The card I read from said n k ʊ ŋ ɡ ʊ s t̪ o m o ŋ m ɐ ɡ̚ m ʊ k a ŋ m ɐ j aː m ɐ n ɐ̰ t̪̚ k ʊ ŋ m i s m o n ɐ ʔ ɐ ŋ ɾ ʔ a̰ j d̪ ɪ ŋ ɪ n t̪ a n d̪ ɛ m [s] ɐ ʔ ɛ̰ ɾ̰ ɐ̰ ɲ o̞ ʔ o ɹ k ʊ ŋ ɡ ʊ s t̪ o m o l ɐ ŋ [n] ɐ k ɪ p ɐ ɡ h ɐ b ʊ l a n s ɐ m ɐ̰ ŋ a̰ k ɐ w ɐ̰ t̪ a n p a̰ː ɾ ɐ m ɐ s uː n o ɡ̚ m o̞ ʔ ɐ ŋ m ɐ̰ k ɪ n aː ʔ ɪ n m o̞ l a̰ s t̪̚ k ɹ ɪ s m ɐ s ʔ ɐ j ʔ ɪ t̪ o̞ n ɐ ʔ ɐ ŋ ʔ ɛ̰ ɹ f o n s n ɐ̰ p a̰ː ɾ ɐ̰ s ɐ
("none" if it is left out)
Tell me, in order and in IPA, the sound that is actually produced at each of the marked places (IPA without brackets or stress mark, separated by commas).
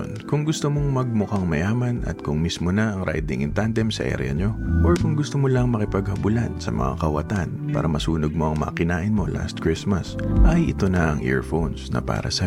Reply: s, m